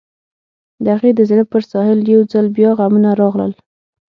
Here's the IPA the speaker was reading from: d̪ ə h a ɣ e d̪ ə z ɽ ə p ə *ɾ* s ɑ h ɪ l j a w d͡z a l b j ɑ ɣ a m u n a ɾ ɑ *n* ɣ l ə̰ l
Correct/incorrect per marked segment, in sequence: correct, incorrect

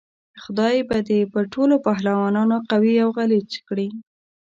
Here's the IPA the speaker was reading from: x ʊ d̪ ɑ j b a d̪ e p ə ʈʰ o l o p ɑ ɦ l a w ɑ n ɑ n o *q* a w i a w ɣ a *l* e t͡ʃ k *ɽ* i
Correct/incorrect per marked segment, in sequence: correct, correct, correct

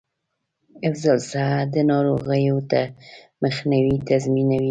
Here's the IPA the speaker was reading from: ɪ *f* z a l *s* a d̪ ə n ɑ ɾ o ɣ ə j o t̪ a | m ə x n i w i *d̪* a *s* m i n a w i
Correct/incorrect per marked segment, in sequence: correct, correct, incorrect, incorrect

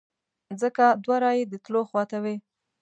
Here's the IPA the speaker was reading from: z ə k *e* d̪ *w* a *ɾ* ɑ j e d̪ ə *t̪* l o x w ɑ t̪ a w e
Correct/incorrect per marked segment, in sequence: incorrect, correct, correct, correct

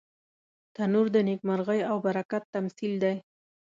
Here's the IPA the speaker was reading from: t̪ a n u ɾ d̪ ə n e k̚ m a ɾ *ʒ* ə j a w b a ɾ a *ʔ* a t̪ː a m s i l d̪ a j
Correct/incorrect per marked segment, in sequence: incorrect, incorrect

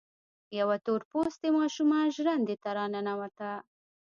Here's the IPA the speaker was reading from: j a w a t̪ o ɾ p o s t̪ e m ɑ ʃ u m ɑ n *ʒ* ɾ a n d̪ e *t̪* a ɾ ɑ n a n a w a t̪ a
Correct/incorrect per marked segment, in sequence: correct, correct

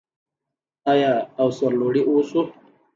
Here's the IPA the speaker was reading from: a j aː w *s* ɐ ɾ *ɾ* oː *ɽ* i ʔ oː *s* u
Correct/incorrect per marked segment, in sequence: correct, incorrect, correct, correct

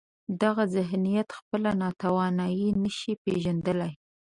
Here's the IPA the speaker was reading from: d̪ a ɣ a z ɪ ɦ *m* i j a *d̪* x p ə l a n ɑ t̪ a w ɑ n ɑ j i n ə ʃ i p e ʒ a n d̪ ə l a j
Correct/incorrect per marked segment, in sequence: incorrect, incorrect

